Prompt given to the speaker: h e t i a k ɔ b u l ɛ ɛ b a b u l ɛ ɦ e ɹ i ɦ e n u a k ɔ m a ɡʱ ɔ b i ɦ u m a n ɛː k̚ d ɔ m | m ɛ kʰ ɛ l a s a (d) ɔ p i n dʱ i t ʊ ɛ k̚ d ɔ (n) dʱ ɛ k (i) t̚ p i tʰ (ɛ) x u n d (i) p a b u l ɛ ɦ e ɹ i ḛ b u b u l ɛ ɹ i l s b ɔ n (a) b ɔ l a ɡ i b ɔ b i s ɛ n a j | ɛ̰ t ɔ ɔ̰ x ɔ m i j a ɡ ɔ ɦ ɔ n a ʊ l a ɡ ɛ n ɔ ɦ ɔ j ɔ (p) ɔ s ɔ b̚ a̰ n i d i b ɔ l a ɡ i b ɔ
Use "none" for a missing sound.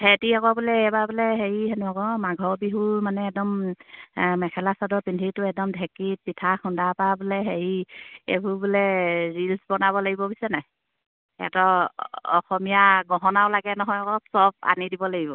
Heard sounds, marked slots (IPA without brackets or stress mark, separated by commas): d, m, i, a, a, a, k